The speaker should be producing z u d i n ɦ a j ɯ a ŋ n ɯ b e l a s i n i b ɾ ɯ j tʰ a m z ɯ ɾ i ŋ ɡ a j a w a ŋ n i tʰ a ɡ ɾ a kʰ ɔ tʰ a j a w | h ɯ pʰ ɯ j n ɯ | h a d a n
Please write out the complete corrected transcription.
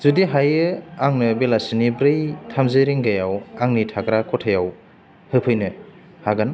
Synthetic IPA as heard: z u d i ɦ a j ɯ a ŋ n ɯ b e l a s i n i b ɾ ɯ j tʰ a m z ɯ ɾ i ŋ ɡ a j a w a ŋ n i tʰ a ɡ ɾ a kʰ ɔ tʰ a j a w | h ɯ pʰ ɯ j n ɯ | h a ɡ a n